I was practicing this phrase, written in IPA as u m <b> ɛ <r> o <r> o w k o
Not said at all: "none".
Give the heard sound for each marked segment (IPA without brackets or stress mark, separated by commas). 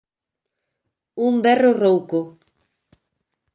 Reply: b, r, r